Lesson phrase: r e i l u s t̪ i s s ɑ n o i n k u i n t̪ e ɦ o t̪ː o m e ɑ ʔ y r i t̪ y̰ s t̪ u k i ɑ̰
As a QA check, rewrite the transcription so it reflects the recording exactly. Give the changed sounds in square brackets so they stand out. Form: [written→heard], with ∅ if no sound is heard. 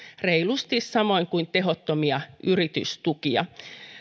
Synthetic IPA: r e i l u s t̪ i s s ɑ [n→m] o i [n→ŋ] k u i n t̪ e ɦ o t̪ː o m [e→i] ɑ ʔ y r i t̪ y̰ s t̪ u k i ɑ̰